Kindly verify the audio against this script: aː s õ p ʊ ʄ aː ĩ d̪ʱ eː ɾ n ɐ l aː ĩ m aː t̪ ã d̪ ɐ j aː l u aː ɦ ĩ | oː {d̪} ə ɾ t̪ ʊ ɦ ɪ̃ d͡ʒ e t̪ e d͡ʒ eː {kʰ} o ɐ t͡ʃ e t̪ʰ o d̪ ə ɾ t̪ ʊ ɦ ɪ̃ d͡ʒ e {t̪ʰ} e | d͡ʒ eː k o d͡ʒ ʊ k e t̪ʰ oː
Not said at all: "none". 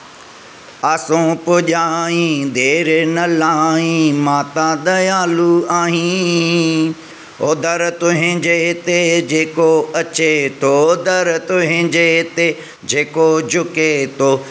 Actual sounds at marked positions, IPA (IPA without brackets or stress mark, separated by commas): d̪, k, t̪